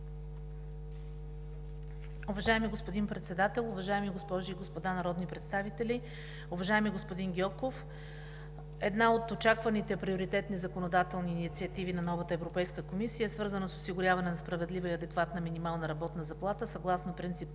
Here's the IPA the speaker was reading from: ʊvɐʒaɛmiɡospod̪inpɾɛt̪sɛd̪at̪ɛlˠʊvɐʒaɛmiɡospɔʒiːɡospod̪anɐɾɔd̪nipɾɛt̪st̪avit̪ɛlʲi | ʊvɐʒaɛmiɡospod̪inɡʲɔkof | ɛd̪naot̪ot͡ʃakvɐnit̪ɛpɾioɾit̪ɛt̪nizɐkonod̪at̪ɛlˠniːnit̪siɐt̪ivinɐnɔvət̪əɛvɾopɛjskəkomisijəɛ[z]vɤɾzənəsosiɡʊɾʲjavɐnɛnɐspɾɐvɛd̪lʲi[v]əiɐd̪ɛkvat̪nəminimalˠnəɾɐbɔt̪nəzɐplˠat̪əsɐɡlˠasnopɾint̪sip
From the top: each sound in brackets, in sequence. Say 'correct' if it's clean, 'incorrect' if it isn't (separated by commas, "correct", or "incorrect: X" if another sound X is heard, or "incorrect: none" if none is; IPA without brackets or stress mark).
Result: incorrect: s, correct